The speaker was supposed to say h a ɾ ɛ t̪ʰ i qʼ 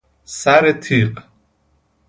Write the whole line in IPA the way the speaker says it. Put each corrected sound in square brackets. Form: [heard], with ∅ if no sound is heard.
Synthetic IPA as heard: [s] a ɾ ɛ t̪ʰ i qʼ